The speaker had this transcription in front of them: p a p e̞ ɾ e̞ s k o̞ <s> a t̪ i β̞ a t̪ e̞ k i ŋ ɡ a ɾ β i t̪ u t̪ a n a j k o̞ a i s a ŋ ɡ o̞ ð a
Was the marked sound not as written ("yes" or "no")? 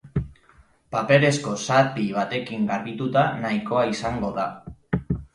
no